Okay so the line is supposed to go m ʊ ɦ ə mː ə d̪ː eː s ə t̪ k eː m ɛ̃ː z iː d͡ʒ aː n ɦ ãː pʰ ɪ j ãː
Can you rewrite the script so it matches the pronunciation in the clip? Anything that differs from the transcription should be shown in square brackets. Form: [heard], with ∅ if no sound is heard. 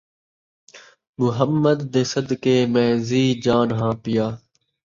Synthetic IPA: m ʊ ɦ ə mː ə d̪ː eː s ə [d̪] k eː m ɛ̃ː z iː d͡ʒ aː n ɦ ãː [p] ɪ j [aː]